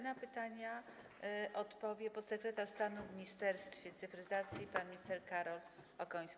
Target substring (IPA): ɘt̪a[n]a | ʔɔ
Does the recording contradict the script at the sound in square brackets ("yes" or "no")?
yes